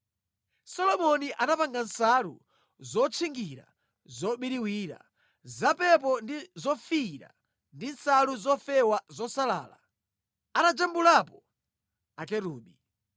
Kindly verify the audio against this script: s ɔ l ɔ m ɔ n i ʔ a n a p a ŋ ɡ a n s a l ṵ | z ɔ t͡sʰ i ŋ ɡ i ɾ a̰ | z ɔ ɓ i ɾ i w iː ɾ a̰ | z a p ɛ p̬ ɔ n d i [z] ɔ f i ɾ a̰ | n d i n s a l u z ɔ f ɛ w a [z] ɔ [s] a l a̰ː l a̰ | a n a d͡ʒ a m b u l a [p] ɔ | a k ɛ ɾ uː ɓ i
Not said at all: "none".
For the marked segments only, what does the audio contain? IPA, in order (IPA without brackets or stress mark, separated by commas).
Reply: z, z, s, p